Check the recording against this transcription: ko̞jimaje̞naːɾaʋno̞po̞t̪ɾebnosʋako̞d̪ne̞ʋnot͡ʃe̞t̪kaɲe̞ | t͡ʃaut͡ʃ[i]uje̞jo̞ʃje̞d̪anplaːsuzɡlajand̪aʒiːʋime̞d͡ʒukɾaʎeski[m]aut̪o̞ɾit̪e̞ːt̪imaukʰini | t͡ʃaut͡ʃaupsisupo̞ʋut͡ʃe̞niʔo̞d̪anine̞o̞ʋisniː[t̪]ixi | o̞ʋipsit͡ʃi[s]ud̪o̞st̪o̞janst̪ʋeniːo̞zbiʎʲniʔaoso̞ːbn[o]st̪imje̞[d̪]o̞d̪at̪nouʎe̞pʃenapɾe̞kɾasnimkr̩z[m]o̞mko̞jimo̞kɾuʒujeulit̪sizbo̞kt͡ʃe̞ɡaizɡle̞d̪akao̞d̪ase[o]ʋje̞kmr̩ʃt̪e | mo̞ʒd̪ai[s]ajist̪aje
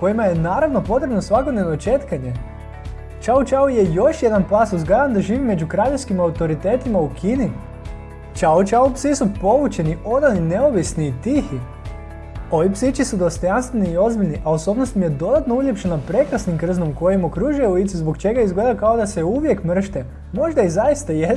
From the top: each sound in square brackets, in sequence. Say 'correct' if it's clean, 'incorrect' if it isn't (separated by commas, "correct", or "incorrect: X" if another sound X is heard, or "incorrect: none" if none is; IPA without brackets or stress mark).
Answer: incorrect: a, correct, correct, correct, correct, correct, incorrect: n, incorrect: u, incorrect: z